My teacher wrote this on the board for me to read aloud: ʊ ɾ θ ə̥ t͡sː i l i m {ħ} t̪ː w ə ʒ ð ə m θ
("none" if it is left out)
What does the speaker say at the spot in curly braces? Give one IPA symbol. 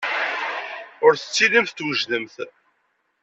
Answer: θ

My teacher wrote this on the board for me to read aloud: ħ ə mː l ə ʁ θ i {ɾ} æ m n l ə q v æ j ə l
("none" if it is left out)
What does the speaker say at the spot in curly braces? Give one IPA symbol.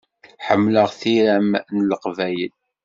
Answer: ɾ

